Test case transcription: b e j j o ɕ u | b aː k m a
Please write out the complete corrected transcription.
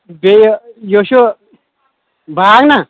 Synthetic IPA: b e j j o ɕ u | b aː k n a